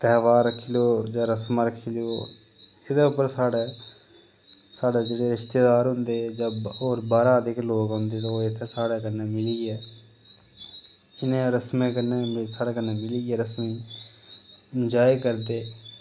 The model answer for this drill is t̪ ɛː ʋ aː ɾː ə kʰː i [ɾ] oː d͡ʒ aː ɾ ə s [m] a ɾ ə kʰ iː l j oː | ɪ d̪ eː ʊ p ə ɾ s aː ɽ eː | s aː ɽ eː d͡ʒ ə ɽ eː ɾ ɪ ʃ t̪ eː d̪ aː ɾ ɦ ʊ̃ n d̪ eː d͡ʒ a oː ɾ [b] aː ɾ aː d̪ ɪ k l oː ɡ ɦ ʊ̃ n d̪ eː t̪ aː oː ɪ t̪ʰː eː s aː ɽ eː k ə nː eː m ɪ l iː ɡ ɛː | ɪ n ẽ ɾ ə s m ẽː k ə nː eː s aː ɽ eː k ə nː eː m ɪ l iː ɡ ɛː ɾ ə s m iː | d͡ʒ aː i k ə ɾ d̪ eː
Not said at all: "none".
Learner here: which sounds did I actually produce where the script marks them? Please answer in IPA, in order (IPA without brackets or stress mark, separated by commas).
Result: l, m, b